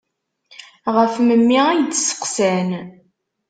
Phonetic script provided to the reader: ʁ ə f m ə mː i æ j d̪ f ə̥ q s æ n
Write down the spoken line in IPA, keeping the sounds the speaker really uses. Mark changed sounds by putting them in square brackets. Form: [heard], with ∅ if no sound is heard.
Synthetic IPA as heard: ʁ ə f m ə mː i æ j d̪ [s] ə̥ q s æ n